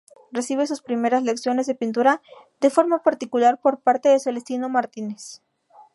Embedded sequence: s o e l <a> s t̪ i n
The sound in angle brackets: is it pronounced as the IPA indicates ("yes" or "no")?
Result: no